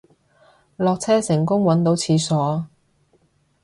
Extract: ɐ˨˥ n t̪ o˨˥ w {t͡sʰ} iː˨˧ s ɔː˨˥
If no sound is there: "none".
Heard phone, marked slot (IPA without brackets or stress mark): t͡sʰ